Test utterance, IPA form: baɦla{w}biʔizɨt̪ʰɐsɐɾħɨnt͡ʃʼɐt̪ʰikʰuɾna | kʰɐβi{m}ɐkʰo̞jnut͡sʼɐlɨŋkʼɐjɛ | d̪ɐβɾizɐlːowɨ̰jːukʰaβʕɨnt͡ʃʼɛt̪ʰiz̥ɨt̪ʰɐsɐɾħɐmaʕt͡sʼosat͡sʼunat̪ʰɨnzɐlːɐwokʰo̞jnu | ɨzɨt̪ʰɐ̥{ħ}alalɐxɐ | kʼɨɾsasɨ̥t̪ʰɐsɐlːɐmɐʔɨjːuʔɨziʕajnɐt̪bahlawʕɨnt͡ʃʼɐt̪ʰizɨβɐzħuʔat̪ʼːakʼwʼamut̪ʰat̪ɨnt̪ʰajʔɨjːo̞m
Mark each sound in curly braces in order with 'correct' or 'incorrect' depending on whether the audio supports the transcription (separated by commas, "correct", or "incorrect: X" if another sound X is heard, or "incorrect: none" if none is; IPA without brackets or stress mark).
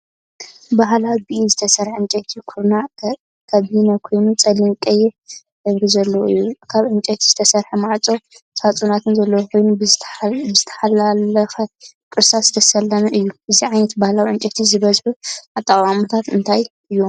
correct, incorrect: n, correct